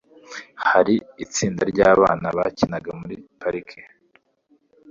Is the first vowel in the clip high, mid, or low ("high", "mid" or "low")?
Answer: low